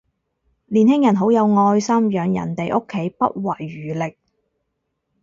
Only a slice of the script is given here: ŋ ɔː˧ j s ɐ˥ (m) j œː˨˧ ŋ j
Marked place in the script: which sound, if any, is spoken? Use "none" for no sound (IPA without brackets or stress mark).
m